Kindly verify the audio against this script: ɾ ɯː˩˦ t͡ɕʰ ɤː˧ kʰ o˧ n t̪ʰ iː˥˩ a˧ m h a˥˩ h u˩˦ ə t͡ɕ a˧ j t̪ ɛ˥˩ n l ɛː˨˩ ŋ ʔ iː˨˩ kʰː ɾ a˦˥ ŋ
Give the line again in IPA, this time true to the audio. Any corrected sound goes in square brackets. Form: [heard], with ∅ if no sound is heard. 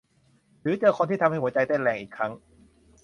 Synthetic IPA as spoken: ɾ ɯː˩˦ [t͡ɕ] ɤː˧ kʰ o˧ n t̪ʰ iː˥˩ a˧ m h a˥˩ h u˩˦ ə t͡ɕ a˧ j t̪ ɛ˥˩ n l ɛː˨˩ ŋ ʔ iː˨˩ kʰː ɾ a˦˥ ŋ